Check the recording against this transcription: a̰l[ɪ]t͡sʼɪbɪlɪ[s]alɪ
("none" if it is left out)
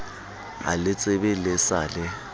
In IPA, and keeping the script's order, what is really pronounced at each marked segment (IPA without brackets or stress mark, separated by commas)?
ɪ, s